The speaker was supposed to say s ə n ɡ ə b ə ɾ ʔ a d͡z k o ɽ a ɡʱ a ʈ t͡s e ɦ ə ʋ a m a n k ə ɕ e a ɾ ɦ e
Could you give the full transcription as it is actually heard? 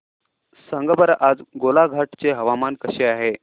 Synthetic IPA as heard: s ə ŋ ɡ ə b ə ɾ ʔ a d͡z ɡ o l a ɡʱ a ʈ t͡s e ɦ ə ʋ a m a n k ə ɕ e a ɦ e